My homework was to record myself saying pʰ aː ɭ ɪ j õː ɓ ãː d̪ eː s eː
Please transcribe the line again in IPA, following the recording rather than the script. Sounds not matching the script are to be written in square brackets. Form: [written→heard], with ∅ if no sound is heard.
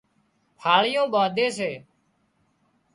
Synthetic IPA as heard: pʰ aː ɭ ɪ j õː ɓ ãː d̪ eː s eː

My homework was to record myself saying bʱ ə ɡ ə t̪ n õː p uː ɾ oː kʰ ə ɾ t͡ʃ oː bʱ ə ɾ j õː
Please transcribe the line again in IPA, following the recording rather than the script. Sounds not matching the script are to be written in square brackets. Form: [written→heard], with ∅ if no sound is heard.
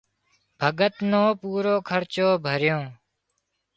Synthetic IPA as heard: bʱ ə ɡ ə t̪ n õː p uː ɾ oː kʰ ə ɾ t͡ʃ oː bʱ ə ɾ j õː

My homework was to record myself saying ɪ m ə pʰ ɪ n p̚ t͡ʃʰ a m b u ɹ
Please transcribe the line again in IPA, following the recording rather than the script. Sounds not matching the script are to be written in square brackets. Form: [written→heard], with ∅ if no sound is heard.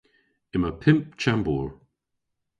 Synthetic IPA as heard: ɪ m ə pʰ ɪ [n→m] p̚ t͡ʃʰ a m b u ɹ

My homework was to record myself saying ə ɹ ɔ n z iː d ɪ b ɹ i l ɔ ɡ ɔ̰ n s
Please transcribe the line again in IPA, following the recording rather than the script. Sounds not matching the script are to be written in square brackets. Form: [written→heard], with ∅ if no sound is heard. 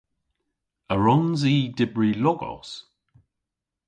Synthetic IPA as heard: ə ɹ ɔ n z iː d ɪ b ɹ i l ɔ ɡ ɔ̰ [n→∅] s

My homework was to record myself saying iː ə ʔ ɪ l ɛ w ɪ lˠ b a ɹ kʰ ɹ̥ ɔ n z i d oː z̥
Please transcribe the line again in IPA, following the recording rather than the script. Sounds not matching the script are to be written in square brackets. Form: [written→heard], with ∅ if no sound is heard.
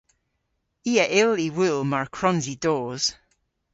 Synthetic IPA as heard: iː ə ʔ ɪ l [ɛ→i] w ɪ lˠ [b→m] a ɹ kʰ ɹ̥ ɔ n z i d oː z̥

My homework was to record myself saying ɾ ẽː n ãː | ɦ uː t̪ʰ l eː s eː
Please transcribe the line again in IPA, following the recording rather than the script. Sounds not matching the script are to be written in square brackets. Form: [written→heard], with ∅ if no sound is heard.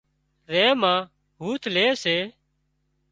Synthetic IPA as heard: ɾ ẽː [n→m] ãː | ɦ uː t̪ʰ l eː s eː

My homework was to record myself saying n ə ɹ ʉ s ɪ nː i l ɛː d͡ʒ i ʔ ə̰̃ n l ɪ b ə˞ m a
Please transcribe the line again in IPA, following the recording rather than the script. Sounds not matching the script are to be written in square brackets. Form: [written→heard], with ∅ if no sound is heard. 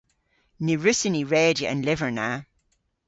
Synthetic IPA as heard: n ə ɹ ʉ s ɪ [nː→n] i [l→ɹ] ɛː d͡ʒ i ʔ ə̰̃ n l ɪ [b→v] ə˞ [m→n] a

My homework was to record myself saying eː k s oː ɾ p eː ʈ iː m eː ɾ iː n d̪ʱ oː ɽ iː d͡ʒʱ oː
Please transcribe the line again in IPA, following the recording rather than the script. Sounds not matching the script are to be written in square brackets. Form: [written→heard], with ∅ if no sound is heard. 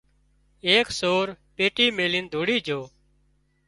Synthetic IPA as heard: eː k s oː ɾ p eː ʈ iː m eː [ɾ→l] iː n d̪ʱ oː ɽ iː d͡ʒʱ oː

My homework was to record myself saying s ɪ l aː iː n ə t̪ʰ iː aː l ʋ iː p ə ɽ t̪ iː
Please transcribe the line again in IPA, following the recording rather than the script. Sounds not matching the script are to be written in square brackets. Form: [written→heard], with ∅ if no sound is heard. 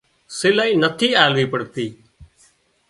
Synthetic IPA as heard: s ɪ l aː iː n ə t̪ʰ iː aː l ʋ iː p ə ɽ t̪ iː

